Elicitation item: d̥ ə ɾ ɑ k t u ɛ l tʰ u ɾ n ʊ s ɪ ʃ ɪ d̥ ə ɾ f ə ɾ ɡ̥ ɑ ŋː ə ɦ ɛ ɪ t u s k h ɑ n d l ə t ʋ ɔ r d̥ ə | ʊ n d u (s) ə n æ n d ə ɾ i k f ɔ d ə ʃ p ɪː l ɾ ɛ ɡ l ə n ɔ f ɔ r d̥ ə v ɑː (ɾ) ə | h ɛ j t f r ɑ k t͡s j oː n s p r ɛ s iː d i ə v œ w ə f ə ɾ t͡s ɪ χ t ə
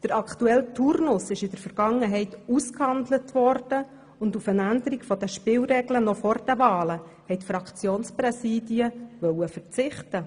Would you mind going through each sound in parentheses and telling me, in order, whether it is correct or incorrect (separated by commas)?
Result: incorrect, incorrect